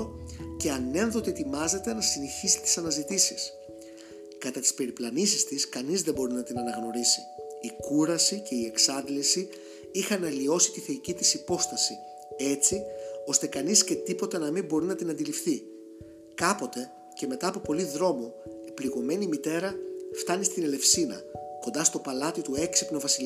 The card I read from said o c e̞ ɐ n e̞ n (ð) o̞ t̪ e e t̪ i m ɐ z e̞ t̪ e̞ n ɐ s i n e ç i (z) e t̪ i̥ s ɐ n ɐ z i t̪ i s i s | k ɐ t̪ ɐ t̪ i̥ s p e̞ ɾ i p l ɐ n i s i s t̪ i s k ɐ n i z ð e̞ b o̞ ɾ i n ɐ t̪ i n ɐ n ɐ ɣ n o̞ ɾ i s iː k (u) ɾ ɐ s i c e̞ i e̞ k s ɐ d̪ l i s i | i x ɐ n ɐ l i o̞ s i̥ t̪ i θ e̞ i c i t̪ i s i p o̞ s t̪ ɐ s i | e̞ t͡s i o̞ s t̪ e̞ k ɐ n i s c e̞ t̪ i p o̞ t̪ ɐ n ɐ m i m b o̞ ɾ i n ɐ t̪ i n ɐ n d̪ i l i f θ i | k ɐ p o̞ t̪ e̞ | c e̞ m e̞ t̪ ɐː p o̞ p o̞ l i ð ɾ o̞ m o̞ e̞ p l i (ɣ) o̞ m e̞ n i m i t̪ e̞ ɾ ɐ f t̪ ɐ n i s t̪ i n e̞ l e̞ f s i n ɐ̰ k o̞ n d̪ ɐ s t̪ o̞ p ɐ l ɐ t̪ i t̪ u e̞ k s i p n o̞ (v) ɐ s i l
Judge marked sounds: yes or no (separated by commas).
yes, no, yes, yes, yes